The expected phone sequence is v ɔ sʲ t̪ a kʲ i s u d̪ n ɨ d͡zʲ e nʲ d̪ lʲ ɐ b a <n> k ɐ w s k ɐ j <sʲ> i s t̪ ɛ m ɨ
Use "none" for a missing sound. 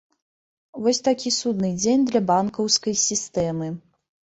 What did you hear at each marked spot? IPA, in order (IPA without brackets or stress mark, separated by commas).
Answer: n, sʲ